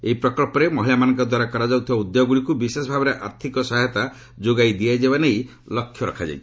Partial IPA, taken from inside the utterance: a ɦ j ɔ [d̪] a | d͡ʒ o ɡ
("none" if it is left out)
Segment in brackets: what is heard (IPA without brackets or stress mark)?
t̪